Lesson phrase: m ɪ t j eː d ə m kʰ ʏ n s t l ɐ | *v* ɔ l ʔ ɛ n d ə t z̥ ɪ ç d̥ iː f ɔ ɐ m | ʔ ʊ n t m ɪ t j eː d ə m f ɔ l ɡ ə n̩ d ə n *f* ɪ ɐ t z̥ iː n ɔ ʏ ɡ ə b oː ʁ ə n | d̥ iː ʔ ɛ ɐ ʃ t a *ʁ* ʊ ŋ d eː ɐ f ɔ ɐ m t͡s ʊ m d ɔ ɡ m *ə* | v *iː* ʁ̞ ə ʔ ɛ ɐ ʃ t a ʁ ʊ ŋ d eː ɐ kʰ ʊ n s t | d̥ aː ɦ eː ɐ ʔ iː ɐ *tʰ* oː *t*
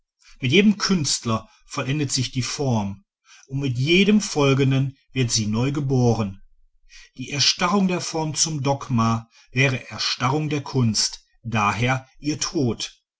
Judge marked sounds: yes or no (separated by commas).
no, no, yes, no, no, yes, yes